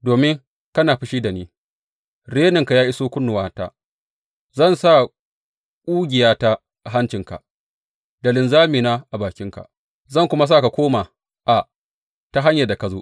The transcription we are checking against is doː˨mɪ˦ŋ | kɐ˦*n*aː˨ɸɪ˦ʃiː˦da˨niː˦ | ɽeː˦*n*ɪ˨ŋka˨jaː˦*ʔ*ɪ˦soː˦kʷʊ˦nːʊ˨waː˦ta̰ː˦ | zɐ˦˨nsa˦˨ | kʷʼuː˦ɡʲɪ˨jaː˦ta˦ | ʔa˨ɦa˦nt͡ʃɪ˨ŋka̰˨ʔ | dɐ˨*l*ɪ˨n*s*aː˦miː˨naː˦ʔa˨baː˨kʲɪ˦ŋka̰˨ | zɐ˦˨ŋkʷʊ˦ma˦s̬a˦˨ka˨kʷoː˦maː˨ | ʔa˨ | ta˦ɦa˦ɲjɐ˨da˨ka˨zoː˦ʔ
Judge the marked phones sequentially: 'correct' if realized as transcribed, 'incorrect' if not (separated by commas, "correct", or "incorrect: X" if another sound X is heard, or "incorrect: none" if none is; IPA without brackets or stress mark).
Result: correct, correct, correct, correct, incorrect: z